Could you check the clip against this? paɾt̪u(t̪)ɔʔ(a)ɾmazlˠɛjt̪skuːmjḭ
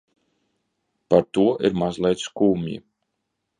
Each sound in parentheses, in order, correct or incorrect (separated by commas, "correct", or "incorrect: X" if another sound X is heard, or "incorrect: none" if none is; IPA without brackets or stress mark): incorrect: none, incorrect: i